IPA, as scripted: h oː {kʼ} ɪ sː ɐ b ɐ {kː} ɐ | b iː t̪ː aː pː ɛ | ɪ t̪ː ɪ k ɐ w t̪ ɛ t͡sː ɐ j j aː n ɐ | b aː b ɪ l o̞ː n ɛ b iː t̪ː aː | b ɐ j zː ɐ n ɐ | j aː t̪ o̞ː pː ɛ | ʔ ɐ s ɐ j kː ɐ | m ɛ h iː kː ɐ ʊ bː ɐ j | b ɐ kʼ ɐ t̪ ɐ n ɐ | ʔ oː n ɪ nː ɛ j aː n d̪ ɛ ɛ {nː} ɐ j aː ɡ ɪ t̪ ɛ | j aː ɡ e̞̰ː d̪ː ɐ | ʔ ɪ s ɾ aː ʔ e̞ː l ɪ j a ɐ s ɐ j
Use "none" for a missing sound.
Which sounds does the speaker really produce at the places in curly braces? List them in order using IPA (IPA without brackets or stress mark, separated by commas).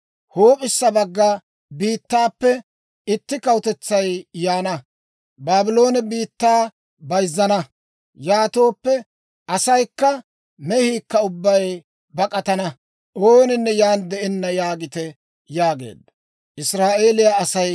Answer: pʼ, ɡː, nː